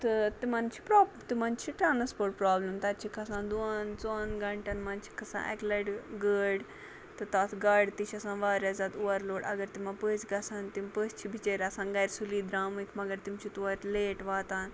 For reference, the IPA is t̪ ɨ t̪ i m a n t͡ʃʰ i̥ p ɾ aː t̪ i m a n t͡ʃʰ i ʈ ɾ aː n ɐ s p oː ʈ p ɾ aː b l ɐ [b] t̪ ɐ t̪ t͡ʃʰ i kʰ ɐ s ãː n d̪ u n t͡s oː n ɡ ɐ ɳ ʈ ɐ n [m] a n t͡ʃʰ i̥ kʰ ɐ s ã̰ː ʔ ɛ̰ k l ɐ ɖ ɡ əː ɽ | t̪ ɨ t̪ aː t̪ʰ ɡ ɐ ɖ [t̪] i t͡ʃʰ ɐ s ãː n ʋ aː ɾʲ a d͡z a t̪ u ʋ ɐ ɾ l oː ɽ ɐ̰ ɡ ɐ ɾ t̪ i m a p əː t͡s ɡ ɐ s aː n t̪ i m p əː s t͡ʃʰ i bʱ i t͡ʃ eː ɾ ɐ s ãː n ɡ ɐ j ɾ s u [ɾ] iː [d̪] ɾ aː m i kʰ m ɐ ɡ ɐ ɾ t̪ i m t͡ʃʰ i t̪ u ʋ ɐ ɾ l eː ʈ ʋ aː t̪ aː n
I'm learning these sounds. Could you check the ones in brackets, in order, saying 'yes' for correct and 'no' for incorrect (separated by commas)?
no, yes, yes, no, yes